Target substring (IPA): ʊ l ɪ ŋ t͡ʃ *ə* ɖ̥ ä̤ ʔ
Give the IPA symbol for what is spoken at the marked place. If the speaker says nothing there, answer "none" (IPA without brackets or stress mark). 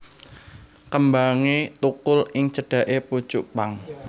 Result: ə